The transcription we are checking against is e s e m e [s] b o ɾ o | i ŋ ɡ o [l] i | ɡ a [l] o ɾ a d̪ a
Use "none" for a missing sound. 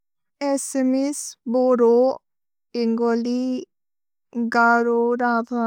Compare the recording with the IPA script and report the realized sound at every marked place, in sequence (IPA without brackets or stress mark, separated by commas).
s, l, ɾ